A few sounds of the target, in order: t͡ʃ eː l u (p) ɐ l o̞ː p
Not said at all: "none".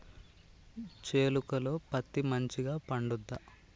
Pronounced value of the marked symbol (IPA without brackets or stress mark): k